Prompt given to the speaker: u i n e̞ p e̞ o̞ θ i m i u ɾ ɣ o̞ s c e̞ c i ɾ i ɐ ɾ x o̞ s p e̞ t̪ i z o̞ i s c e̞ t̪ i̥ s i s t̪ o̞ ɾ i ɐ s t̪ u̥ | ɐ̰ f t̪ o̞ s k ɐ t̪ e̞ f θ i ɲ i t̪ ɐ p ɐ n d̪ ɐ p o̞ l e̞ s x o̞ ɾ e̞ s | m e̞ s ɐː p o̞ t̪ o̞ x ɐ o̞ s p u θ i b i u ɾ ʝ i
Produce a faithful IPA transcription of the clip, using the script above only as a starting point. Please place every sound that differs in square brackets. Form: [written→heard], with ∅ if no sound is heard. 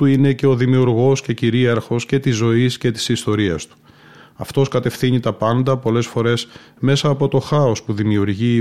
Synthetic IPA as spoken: u i n e̞ [p→c] e̞ o̞ [θ→ð] i m i u ɾ ɣ o̞ s c e̞ c i ɾ i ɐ ɾ x o̞ s [p→c] e̞ t̪ i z o̞ i s c e̞ t̪ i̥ s i s t̪ o̞ ɾ i ɐ s t̪ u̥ | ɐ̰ f t̪ o̞ s k ɐ t̪ e̞ f θ i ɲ i t̪ ɐ p ɐ n d̪ ɐ p o̞ l e̞ s [x→f] o̞ ɾ e̞ s | m e̞ s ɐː p o̞ t̪ o̞ x ɐ o̞ s p u [θ→ð] i [b→m] i u ɾ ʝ i